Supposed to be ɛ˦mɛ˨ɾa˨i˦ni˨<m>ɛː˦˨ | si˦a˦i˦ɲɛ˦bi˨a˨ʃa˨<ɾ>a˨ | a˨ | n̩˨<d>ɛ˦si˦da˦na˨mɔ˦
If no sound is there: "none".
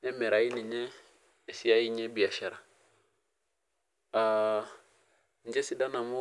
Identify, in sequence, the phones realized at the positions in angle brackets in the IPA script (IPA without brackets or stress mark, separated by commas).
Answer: ɲ, ɾ, d͡ʒ